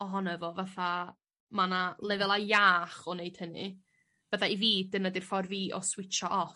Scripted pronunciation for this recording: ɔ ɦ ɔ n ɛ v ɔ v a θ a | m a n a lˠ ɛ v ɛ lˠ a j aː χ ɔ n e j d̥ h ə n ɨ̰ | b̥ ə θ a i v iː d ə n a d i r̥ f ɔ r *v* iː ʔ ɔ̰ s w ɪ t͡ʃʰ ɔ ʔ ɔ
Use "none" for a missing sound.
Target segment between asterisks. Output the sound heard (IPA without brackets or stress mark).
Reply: v